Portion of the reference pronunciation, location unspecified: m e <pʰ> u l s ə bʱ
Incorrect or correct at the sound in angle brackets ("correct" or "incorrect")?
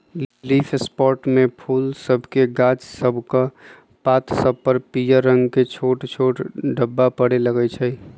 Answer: correct